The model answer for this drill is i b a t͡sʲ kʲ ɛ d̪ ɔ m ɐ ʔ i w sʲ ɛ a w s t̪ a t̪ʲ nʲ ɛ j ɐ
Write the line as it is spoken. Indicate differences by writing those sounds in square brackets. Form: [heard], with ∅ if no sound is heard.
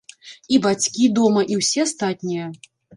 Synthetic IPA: i b a t͡sʲ kʲ [i] d̪ ɔ m ɐ ʔ i w sʲ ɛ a [∅] s t̪ a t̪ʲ nʲ [i] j ɐ